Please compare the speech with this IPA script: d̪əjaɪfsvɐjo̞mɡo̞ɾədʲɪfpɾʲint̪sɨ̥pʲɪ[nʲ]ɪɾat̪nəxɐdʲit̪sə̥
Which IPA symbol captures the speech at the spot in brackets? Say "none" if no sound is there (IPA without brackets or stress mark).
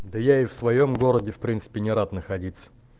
nʲ